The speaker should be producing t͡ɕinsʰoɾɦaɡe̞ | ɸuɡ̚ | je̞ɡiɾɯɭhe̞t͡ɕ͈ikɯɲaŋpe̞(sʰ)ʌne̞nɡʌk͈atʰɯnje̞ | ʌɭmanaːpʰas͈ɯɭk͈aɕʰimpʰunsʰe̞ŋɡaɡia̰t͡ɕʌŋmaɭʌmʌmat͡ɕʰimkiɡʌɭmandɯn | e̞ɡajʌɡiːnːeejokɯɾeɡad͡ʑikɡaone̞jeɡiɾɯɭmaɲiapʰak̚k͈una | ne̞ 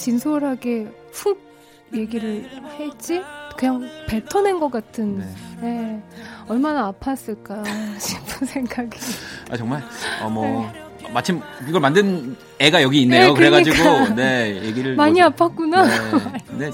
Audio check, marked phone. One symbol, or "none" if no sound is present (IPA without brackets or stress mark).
tʰ